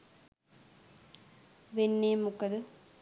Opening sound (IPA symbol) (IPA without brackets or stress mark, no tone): ʋ